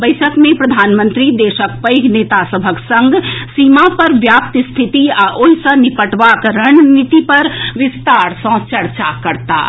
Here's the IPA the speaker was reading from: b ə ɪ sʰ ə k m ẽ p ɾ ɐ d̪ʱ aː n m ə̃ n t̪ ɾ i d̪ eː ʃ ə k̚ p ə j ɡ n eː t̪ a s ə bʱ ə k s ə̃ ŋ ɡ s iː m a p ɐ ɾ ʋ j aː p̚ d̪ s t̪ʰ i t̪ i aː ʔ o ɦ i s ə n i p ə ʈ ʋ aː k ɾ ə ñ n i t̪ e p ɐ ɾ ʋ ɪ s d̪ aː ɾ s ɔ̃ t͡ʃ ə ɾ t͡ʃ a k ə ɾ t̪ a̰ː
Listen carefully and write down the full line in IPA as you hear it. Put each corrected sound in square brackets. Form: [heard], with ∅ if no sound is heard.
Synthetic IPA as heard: b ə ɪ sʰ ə k m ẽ p ɾ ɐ d̪ʱ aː n m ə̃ n t̪ ɾ i d̪ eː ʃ ə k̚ p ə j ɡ n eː t̪ a s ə bʱ ə k s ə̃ ŋ ɡ s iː m a p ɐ ɾ ʋ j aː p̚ [t̪] s t̪ʰ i t̪ i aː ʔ o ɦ i s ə n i p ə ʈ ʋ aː k ɾ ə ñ n i t̪ [i] p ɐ ɾ ʋ ɪ s [t̪] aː ɾ s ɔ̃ t͡ʃ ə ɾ t͡ʃ a k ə ɾ t̪ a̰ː